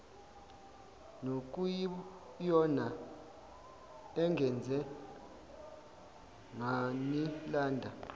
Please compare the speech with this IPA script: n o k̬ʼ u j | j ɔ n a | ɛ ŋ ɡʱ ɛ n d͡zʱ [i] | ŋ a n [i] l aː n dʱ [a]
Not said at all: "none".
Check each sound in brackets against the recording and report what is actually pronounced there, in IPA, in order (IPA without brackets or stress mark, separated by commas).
ɛ, i, a